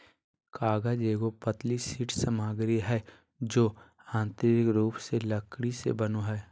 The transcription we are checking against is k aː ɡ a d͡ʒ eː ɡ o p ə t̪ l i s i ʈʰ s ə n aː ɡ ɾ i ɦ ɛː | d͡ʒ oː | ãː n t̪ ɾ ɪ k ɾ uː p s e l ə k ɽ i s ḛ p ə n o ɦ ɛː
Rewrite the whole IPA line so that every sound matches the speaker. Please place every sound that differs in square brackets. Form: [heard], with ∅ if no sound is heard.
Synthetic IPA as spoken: k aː ɡ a d͡ʒ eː ɡ o p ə t̪ l i s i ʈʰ s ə [m] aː ɡ ɾ i ɦ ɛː | d͡ʒ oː | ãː n t̪ ɾ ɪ k ɾ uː p s e l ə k ɽ i s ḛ [b] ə n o ɦ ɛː

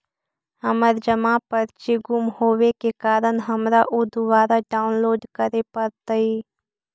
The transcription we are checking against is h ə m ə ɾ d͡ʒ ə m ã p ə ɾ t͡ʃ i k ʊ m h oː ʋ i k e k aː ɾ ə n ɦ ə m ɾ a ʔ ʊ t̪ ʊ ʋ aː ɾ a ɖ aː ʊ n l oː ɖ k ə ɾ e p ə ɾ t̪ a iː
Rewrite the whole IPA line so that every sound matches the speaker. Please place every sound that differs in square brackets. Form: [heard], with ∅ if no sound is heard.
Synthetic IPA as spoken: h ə m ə ɾ d͡ʒ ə m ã p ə ɾ t͡ʃ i [ɡ] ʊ m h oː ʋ [e] k e k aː ɾ ə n ɦ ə m ɾ a ʔ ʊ [d̪] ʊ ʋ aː ɾ a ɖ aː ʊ n l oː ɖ k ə ɾ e p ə ɾ t̪ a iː

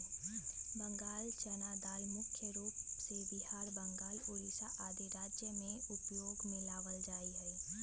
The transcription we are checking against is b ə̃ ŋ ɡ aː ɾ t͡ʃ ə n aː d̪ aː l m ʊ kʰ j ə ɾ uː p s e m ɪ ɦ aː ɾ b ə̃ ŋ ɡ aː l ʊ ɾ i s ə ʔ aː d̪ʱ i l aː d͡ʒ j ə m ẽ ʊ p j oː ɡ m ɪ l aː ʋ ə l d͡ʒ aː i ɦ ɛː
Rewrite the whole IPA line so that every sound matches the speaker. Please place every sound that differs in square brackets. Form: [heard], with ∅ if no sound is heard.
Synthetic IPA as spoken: b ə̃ ŋ ɡ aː [l] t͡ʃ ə n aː d̪ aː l m ʊ kʰ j ə ɾ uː p s e [b] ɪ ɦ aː ɾ b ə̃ ŋ ɡ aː l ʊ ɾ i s [a] ʔ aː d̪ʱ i [ɾ] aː d͡ʒ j ə m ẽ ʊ p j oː ɡ m ɪ l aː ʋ ə l d͡ʒ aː i ɦ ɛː

